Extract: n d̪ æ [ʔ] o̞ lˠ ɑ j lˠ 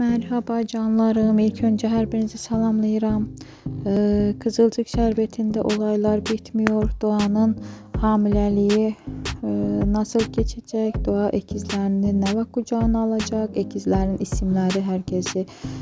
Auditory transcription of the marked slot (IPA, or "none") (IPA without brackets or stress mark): ʔ